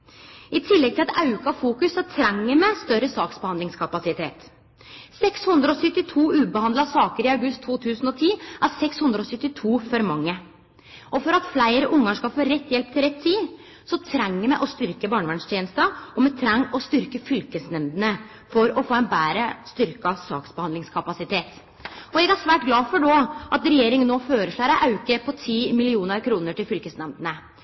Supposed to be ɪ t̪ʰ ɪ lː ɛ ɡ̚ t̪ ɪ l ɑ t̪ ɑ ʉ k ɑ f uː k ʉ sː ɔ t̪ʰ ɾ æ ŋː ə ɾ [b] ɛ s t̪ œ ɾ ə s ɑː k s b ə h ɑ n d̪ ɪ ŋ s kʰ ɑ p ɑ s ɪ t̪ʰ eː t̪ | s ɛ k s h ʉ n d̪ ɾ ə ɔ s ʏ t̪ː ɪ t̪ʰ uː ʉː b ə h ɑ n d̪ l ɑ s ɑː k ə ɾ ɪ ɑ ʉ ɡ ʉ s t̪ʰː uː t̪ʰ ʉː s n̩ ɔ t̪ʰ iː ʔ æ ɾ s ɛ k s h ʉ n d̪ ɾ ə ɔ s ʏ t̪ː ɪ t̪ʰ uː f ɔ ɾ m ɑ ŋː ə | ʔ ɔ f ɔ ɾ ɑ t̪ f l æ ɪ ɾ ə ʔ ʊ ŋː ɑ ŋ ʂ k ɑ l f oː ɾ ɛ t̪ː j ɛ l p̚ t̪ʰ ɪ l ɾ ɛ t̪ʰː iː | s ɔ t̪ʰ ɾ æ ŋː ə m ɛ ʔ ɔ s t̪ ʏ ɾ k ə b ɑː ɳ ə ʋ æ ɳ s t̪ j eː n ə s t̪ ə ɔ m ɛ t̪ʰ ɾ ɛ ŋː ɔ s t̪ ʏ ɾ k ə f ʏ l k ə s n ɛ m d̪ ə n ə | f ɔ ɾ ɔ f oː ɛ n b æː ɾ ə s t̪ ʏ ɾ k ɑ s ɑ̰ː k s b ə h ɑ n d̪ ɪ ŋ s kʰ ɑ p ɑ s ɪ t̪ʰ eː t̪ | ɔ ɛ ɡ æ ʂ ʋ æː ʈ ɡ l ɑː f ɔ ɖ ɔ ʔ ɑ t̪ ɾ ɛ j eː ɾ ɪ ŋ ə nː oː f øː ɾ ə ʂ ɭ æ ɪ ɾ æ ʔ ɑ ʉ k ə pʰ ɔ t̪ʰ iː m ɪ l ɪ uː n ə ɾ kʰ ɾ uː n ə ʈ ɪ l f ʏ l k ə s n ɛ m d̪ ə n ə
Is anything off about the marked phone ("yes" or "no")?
yes